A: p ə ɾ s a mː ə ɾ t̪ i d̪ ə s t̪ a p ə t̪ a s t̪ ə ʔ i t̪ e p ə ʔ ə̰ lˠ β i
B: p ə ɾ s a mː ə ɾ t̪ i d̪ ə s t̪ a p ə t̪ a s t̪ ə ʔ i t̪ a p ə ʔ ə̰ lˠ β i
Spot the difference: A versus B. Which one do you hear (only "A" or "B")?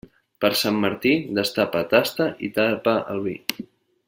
B